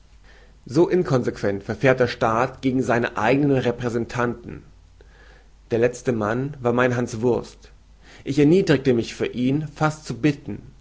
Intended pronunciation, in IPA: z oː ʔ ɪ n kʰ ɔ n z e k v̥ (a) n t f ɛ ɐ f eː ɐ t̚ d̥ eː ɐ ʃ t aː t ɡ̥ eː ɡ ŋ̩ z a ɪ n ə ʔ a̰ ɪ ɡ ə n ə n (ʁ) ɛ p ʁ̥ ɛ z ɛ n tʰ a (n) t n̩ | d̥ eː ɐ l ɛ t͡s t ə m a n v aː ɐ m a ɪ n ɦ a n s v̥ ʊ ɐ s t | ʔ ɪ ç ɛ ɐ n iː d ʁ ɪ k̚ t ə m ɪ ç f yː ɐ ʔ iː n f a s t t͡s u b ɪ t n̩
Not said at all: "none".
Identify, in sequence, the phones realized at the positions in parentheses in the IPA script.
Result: ɛ, ʁ, n

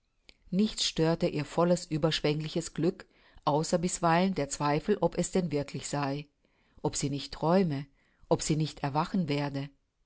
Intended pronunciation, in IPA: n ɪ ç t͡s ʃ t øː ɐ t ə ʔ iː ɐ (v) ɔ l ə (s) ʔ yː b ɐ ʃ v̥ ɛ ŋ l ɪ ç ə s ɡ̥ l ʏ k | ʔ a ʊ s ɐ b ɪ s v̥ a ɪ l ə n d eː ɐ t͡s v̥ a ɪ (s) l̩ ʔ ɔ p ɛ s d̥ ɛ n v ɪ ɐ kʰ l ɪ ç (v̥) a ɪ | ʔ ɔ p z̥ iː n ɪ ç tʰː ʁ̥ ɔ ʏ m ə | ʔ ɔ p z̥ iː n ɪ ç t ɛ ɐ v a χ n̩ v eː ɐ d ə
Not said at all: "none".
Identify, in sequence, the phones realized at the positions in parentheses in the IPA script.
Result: f, s, f, z̥

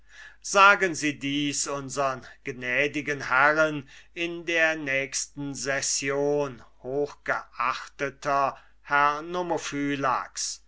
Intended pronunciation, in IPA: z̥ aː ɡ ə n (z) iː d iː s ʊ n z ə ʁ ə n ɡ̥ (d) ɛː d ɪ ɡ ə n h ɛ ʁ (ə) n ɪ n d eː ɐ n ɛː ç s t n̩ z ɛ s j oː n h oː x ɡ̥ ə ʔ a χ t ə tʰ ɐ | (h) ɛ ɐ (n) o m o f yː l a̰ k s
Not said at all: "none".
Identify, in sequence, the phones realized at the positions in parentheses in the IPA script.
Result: z, n, ə, h, n

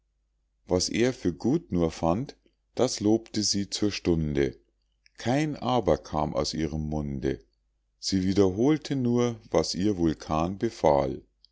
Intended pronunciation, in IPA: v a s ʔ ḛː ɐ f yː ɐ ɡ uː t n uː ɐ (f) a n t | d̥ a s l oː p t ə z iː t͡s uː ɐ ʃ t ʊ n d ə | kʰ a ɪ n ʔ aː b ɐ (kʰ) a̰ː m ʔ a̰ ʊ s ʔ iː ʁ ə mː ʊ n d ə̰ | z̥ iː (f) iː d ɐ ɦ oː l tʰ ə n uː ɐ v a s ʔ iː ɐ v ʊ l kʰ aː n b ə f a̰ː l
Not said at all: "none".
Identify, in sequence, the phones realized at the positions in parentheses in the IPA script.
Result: f, kʰ, v

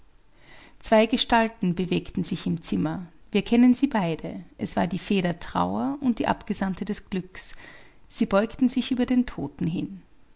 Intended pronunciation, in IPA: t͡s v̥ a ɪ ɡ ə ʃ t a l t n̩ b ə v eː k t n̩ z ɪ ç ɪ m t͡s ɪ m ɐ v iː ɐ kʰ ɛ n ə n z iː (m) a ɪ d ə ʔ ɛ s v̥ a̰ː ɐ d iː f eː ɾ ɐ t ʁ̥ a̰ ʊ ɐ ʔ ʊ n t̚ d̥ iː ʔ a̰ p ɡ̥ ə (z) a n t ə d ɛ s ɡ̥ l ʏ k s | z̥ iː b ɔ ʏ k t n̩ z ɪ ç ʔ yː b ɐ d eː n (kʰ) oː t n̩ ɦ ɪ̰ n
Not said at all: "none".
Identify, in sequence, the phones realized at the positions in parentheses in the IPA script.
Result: b, z, tʰ

